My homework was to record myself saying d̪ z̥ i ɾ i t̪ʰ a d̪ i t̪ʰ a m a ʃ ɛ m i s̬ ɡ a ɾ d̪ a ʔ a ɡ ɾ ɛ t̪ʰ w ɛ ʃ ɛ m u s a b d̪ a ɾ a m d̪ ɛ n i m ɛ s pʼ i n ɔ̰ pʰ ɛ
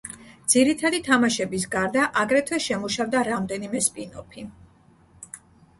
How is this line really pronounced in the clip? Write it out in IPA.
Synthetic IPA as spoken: d̪ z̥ i ɾ i t̪ʰ a d̪ i t̪ʰ a m a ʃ ɛ b i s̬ ɡ a ɾ d̪ a ʔ a ɡ ɾ ɛ t̪ʰ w ɛ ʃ ɛ m u ʃ a v d̪ a ɾ a m d̪ ɛ n i m ɛ s pʼ i n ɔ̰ pʰ i